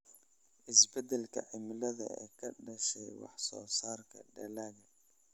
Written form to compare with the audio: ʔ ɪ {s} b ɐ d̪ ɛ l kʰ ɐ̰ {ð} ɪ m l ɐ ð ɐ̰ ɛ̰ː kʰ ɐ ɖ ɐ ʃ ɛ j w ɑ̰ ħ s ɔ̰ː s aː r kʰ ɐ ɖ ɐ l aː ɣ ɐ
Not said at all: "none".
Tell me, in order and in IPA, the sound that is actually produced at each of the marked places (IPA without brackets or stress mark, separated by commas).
s, ʕ